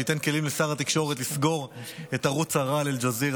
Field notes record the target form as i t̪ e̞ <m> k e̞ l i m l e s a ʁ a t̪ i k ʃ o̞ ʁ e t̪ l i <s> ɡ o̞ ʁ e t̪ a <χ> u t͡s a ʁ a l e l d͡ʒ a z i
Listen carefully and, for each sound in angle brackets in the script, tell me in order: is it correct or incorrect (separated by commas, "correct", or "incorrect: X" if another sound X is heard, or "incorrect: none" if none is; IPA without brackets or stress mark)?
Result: incorrect: n, correct, incorrect: ʁ